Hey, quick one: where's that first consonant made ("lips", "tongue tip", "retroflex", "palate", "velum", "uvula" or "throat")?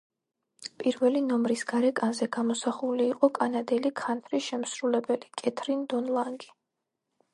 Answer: lips